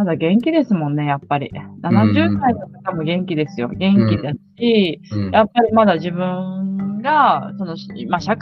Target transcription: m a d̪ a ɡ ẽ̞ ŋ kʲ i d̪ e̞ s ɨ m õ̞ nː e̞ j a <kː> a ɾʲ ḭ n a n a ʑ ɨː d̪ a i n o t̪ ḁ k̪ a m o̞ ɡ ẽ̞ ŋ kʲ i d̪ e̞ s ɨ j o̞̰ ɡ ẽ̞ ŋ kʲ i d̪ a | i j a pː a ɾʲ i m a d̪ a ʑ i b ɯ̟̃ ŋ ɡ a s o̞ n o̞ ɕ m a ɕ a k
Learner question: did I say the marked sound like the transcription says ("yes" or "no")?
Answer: no